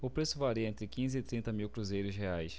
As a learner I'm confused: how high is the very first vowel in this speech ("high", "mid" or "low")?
high